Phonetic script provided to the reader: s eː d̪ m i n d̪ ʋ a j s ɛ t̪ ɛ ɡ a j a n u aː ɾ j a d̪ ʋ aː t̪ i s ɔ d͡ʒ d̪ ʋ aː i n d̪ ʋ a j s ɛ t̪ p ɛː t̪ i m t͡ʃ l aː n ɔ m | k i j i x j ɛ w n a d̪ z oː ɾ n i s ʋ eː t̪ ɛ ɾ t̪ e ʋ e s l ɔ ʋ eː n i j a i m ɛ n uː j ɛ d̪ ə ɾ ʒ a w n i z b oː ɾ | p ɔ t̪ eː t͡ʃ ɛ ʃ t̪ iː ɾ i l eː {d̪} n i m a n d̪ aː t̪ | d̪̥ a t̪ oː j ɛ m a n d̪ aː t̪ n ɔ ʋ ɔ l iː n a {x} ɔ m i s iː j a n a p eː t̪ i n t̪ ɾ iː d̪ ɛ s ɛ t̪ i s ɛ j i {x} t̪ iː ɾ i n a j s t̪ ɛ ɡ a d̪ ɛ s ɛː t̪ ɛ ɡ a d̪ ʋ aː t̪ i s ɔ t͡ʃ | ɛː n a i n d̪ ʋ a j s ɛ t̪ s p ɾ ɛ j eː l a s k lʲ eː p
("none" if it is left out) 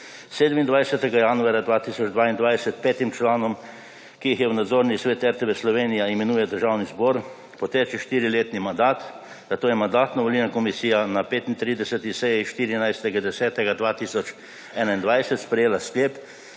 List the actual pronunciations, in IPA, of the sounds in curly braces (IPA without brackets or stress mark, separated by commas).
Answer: t̪, k, ʃ